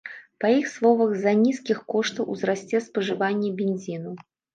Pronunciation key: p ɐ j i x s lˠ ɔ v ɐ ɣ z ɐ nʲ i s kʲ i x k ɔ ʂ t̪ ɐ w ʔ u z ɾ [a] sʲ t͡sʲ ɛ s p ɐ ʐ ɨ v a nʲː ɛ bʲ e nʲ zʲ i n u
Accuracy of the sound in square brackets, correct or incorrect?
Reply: correct